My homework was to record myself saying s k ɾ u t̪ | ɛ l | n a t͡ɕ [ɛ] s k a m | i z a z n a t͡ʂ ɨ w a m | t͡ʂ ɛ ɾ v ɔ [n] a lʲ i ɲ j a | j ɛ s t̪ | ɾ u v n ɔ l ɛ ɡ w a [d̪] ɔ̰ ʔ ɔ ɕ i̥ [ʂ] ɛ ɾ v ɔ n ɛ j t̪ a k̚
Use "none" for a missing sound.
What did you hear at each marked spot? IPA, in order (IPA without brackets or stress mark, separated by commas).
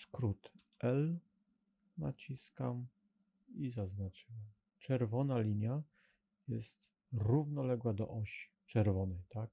i, n, d̪, t͡ʂ